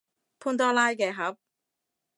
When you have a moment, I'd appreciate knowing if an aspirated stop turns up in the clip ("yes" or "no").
yes